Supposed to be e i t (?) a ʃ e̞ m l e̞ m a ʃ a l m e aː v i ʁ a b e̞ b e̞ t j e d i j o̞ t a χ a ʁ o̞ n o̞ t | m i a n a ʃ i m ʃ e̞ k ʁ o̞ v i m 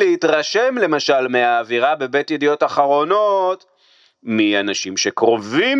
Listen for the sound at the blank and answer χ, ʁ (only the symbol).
ʁ